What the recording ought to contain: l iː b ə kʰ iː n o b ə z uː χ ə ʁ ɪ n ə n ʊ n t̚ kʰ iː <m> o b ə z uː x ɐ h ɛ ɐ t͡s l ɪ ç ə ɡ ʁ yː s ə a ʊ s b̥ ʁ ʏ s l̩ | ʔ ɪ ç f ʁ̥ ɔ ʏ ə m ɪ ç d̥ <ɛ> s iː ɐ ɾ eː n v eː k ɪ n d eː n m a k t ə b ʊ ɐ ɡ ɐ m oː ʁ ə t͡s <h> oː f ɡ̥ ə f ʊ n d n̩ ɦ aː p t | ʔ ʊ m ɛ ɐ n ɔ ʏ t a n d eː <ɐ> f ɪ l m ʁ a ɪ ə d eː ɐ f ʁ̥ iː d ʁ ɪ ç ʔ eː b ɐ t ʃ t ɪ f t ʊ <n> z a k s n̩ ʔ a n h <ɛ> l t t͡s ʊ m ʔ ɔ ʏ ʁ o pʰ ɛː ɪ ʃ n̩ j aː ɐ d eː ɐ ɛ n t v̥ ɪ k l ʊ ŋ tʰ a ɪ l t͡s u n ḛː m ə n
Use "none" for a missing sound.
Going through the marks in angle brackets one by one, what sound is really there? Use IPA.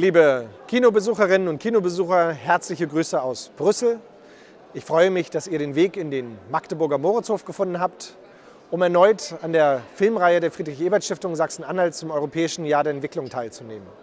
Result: n, a, h, ɐ, ŋ, a

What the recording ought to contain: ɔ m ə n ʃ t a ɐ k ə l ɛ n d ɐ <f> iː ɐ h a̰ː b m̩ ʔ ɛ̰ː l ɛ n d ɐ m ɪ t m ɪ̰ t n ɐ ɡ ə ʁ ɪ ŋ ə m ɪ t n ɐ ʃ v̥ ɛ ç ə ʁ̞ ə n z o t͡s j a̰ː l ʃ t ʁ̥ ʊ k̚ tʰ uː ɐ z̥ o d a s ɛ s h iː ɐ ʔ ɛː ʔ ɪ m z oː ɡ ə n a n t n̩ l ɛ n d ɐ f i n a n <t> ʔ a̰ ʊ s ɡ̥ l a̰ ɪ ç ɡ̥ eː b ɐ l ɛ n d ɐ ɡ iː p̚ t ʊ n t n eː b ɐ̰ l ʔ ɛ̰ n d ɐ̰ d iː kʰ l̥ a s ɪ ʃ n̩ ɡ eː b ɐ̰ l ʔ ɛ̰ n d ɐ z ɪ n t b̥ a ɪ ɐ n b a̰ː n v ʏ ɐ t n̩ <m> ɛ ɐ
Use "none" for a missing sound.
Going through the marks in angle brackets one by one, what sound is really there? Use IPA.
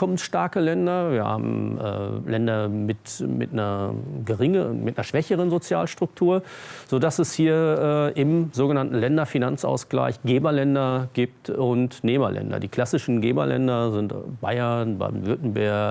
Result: v, t͡s, b

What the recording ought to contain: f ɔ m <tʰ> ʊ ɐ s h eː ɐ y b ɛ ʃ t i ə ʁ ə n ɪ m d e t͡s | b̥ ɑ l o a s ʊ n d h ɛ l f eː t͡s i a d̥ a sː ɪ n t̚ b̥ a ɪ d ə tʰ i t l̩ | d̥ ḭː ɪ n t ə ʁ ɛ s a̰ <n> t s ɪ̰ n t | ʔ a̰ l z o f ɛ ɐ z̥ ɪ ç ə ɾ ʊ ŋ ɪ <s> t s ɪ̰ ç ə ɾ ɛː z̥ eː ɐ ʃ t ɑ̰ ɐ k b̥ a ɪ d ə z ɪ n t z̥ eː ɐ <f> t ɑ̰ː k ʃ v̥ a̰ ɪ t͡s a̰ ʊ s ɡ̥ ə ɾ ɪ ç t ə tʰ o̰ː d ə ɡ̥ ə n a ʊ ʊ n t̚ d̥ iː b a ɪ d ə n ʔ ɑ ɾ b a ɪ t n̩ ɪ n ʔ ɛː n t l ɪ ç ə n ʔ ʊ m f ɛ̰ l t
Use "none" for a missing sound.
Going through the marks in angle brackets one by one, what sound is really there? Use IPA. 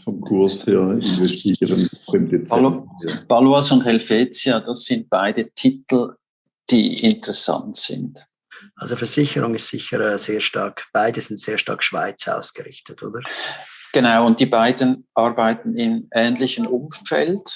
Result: kʰ, n, s, ʃ

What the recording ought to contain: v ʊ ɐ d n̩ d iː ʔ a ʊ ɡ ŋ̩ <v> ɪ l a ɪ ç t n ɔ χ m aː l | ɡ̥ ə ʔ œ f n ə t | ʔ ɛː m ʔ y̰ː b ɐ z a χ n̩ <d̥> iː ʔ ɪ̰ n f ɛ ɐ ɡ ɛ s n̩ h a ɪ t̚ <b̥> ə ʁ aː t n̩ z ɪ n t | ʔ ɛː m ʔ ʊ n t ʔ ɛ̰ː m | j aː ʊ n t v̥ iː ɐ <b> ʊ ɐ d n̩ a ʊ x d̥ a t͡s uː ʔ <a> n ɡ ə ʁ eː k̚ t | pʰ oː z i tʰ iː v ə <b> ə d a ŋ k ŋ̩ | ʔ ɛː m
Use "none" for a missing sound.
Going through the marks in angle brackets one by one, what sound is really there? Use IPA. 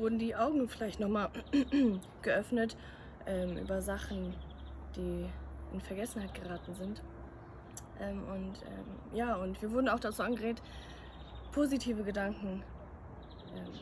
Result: f, d̥, ɡ̥, v, a, ɡ

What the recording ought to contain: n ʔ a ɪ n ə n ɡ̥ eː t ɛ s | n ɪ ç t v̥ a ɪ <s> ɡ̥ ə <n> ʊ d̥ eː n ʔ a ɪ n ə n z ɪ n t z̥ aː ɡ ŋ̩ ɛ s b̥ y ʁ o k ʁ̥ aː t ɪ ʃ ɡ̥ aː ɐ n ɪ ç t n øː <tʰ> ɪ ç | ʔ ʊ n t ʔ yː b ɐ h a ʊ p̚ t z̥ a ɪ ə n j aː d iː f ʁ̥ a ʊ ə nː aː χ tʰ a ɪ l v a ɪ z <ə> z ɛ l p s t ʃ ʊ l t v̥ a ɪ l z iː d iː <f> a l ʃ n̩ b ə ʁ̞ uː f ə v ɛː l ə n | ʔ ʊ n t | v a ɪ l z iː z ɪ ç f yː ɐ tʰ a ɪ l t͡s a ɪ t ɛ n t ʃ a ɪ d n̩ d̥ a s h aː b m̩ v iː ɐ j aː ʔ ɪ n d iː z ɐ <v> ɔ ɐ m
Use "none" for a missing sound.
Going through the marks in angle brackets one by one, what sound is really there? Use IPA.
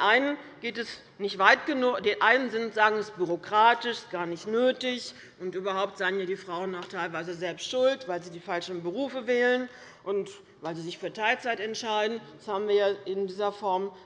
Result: t, n, t, ə, f, f

